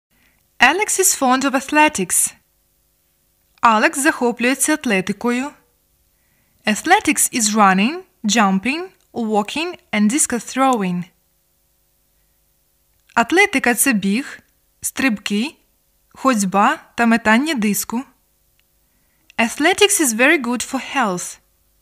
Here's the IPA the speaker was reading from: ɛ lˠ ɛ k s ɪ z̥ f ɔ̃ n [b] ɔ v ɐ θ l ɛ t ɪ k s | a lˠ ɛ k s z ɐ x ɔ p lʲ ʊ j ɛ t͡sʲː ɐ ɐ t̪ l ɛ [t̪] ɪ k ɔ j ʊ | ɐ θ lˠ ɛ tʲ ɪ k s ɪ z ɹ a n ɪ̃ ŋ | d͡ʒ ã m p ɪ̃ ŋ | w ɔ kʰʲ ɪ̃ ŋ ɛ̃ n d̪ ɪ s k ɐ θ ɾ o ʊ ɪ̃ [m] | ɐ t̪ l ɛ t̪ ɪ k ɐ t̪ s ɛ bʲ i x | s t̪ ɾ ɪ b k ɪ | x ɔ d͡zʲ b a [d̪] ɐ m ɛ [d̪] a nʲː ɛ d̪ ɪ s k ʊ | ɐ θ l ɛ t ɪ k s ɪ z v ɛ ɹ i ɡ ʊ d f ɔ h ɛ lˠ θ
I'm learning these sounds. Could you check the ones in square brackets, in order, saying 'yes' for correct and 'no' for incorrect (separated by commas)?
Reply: no, yes, no, no, no